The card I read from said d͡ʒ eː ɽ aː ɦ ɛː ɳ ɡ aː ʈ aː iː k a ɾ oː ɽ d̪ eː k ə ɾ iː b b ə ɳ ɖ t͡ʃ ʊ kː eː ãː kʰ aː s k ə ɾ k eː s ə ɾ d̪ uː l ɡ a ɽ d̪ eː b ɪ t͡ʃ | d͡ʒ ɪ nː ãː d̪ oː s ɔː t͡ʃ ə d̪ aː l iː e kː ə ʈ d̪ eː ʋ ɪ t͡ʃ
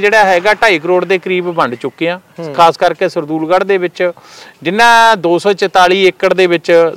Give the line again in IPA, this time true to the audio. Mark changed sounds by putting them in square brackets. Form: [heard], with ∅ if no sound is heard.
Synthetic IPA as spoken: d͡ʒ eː ɽ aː ɦ ɛː [∅] ɡ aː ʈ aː iː k [ə] ɾ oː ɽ d̪ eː k ə ɾ iː b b ə ɳ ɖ t͡ʃ ʊ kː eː ãː kʰ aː s k ə ɾ k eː s ə ɾ d̪ uː l ɡ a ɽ d̪ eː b ɪ t͡ʃ | d͡ʒ ɪ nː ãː d̪ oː s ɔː t͡ʃ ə [t̪] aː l iː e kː ə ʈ d̪ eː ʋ ɪ t͡ʃ